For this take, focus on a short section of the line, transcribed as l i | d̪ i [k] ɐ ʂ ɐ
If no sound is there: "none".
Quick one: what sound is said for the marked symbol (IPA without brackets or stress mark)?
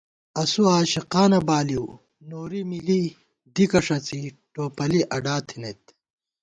k